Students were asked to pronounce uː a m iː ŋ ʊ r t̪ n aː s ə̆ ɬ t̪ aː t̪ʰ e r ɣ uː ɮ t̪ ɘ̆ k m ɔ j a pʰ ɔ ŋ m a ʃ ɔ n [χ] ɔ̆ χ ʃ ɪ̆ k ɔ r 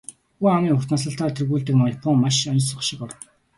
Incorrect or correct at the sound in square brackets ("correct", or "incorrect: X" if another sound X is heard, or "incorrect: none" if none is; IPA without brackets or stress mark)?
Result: incorrect: s